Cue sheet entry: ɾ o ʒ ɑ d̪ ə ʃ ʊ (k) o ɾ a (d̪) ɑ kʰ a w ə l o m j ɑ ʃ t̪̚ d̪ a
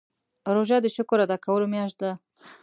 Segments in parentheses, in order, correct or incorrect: correct, correct

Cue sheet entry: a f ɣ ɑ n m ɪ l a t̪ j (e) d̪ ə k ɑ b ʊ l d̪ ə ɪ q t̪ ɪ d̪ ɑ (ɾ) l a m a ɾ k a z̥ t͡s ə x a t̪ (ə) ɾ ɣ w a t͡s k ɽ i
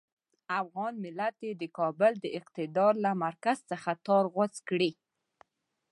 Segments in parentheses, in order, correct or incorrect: correct, correct, incorrect

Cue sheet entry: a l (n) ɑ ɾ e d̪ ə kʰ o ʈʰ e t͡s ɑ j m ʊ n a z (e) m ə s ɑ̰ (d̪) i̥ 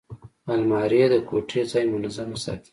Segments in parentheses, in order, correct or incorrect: incorrect, incorrect, incorrect

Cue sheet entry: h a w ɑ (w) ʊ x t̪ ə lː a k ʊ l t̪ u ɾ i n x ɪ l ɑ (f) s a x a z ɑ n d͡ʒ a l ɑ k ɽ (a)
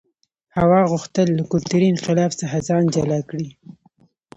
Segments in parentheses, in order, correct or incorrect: incorrect, correct, incorrect

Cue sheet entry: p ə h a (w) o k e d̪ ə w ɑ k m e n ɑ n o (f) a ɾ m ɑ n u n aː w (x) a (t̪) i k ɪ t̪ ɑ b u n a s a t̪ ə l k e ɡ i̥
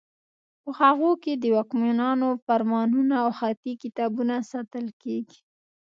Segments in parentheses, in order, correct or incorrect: incorrect, correct, correct, correct

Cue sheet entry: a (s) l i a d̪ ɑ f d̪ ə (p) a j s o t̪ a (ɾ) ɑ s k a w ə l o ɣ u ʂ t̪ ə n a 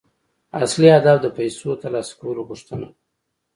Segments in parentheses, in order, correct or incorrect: correct, correct, incorrect

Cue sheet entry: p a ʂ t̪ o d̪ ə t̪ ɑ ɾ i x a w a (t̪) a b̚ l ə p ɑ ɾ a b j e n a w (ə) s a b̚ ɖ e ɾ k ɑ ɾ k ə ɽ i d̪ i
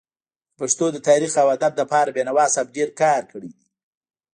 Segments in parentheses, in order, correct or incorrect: incorrect, incorrect

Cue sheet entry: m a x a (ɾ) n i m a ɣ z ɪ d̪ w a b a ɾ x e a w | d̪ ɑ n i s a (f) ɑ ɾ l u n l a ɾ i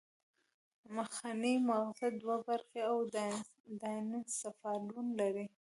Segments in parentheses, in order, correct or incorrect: incorrect, correct

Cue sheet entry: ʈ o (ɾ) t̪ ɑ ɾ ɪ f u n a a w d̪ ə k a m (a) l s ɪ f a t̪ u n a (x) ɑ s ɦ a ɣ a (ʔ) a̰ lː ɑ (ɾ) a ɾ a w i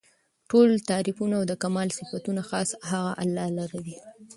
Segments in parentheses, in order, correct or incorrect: incorrect, incorrect, correct, correct, incorrect

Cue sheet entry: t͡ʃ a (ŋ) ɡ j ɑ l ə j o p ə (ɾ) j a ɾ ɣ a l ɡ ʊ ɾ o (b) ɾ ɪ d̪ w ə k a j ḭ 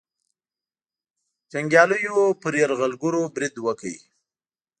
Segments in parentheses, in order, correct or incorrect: correct, correct, correct

